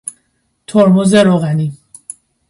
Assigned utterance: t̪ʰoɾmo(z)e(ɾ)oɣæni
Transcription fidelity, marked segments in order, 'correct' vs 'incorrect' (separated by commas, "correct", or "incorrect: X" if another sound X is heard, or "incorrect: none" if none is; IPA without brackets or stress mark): correct, correct